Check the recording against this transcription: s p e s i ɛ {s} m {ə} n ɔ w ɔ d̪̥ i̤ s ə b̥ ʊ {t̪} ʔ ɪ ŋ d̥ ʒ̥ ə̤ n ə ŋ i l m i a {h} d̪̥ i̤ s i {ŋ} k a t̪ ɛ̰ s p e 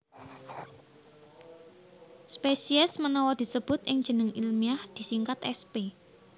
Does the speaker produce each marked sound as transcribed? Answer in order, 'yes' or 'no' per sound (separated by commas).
yes, yes, yes, yes, yes